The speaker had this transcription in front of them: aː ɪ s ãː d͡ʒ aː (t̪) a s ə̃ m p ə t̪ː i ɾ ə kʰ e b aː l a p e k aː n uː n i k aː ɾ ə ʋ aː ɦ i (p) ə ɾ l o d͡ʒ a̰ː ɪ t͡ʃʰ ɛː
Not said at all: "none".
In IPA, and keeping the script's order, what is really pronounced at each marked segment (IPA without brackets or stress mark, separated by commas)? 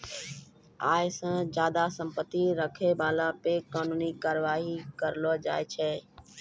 d̪, k